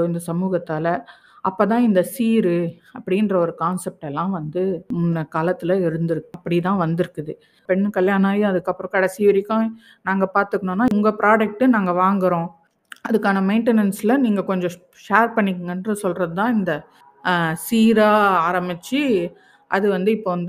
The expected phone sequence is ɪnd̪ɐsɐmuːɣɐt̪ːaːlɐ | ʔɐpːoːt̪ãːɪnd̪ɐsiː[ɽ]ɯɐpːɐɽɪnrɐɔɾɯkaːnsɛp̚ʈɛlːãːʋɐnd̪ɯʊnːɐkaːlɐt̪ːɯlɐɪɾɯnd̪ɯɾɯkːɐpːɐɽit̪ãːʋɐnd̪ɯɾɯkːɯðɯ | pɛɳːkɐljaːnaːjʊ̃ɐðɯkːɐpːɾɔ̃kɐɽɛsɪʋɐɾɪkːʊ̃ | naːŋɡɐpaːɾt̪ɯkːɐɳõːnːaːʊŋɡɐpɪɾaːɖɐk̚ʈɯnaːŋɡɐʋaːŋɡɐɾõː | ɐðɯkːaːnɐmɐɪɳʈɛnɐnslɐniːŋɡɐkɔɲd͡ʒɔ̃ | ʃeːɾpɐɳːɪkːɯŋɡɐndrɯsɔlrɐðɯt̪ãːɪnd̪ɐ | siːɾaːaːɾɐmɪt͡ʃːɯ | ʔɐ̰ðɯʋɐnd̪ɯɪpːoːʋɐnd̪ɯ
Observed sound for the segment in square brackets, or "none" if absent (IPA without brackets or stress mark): ɾ